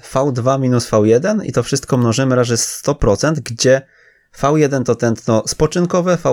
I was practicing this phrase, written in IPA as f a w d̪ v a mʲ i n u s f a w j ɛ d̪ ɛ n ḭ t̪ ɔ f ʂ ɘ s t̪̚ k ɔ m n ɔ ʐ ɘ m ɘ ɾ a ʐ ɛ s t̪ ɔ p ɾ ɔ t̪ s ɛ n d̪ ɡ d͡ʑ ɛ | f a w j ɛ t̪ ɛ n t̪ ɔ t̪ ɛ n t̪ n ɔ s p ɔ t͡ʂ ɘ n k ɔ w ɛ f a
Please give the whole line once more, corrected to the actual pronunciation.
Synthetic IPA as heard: f a w d̪ v a mʲ i n u s f a w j ɛ d̪ ɛ n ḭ t̪ ɔ f ʂ ɘ s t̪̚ k ɔ m n ɔ ʐ ɘ m ɘ ɾ a ʐ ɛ s t̪ ɔ p ɾ ɔ t̪ s ɛ n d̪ ɡ d͡ʑ ɛ | f a w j ɛ d̪ ɛ n t̪ ɔ t̪ ɛ n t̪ n ɔ s p ɔ t͡ʂ ɘ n k ɔ v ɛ f a